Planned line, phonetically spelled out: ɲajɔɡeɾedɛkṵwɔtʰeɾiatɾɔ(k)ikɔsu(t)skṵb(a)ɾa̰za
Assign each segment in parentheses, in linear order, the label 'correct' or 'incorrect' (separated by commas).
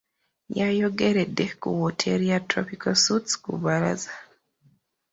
incorrect, correct, correct